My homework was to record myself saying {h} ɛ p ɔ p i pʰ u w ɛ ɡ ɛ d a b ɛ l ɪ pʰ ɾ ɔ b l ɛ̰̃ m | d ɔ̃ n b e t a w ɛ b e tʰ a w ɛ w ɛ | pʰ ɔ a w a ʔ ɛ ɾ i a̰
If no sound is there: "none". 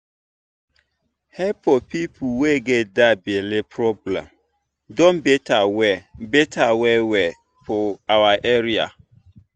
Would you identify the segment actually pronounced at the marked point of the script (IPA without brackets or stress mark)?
h